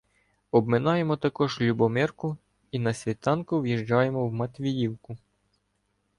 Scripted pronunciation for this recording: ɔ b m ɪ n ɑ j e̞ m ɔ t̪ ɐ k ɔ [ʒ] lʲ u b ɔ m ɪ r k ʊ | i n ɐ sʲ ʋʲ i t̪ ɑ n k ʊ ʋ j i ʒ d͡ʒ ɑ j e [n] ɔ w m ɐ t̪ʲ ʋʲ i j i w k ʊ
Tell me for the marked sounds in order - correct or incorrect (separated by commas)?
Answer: correct, incorrect